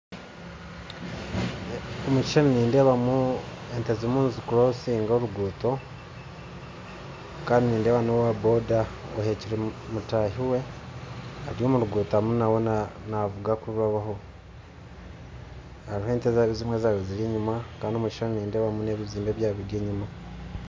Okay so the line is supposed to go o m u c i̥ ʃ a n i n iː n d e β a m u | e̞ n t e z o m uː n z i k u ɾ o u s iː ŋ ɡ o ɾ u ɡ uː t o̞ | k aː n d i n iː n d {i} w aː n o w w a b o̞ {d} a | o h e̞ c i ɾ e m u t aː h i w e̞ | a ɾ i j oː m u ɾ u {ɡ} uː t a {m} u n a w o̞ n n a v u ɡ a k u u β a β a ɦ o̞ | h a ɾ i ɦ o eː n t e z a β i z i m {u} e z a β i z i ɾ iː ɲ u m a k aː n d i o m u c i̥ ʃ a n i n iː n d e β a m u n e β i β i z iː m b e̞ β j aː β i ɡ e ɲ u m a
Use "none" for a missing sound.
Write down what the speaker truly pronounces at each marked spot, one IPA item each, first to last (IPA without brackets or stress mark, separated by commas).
e, d, ɡ, m, w